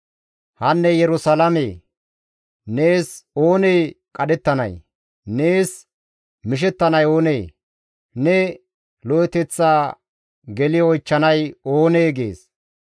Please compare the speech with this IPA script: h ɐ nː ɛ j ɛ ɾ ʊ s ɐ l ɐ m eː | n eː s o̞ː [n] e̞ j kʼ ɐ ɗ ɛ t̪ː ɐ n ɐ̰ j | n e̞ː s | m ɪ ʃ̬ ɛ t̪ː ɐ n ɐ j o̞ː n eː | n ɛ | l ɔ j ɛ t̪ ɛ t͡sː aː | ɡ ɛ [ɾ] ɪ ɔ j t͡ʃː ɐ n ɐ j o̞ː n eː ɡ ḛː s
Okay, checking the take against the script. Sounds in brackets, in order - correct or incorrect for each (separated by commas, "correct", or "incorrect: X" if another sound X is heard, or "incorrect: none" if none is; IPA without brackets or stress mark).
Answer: correct, incorrect: l